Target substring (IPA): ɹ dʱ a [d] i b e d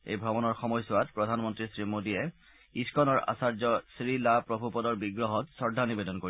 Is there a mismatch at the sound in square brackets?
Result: yes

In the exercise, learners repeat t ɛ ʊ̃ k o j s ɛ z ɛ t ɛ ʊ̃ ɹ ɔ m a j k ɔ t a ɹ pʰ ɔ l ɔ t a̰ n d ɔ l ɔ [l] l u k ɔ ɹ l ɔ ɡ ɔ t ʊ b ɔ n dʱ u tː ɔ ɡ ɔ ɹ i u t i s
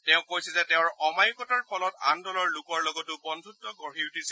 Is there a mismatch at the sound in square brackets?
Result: yes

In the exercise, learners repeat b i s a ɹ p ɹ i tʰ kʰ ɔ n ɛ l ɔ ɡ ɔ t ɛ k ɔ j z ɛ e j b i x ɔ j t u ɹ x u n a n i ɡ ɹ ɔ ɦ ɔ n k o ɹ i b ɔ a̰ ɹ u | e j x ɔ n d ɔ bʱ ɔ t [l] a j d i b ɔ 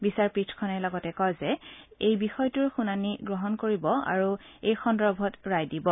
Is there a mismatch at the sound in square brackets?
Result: yes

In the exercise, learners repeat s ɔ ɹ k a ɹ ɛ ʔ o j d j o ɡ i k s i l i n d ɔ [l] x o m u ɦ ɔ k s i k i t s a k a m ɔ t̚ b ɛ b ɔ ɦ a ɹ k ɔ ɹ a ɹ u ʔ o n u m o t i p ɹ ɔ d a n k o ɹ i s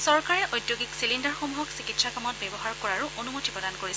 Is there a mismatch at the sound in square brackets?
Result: yes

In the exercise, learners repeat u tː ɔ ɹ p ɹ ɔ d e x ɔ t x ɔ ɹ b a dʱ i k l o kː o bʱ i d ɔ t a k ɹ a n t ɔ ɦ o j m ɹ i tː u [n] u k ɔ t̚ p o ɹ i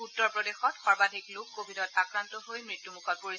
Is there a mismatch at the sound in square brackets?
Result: yes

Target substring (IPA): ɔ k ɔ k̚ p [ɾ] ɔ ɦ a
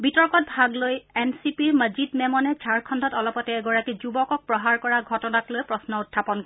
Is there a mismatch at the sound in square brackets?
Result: yes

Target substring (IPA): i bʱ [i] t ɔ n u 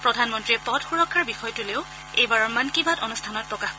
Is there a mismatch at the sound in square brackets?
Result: yes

